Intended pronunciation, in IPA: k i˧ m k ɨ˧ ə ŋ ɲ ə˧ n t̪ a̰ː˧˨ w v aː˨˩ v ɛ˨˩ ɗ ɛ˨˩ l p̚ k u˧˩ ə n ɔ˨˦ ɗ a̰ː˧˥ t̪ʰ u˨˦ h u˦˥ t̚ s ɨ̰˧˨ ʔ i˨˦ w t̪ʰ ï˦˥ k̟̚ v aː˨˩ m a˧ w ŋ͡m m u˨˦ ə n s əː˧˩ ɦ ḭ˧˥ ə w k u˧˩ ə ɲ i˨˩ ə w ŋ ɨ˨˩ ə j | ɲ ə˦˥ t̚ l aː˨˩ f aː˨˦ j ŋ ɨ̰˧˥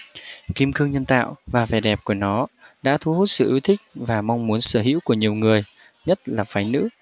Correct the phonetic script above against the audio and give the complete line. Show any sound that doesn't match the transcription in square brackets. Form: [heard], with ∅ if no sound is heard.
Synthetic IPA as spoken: k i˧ m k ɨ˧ ə ŋ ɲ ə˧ n t̪ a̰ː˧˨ w v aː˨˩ v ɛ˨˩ ɗ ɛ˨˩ [∅] p̚ k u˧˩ ə n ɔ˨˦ ɗ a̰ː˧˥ t̪ʰ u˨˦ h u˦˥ t̚ s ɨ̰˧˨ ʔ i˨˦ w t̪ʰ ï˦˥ k̟̚ v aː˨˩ m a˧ w ŋ͡m m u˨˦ ə n s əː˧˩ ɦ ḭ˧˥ ə w k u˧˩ ə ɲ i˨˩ ə w ŋ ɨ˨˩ ə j | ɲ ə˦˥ t̚ l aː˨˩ f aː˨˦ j [n] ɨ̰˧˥